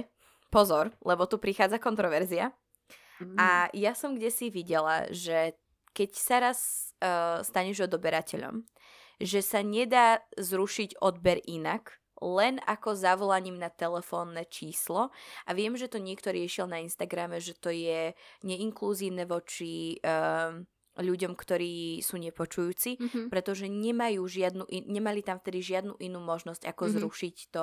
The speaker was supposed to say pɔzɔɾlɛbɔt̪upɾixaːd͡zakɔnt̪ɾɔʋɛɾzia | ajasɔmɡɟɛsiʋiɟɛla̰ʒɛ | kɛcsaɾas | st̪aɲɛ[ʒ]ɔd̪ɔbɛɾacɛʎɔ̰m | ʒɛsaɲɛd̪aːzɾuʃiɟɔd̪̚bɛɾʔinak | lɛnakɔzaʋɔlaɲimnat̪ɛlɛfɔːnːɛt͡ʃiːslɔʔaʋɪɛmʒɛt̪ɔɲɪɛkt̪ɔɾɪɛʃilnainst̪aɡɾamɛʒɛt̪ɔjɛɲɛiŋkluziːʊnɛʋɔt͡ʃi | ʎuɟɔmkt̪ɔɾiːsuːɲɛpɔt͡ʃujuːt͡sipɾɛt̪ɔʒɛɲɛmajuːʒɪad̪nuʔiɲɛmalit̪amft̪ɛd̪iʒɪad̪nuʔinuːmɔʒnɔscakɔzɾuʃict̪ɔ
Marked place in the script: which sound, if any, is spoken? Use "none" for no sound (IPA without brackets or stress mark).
ʒ